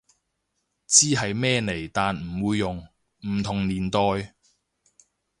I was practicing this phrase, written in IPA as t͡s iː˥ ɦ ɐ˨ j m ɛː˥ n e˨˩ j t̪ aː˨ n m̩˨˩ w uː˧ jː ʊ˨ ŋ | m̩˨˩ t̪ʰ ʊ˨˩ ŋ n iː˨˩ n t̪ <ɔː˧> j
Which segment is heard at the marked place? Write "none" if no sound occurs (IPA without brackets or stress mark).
ɔː˧